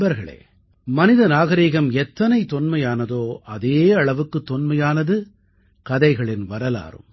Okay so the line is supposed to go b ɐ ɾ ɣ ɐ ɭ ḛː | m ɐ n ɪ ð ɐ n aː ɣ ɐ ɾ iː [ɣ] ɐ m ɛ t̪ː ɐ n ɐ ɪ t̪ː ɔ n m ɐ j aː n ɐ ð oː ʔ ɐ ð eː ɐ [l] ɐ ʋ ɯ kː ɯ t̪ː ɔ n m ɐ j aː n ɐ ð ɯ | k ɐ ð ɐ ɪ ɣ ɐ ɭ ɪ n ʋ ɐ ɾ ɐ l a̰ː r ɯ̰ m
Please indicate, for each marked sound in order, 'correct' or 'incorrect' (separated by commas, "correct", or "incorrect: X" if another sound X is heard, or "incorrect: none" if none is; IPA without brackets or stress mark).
correct, incorrect: ɭ